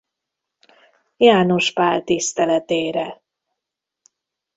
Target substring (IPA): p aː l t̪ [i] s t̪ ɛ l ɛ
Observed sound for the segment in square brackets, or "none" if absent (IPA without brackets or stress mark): i